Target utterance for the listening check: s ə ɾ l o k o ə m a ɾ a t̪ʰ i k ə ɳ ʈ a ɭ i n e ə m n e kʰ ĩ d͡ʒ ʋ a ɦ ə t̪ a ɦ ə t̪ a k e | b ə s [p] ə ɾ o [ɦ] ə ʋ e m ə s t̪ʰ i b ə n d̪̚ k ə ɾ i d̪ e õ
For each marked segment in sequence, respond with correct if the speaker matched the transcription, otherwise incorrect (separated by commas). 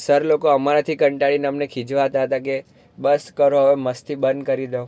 incorrect, correct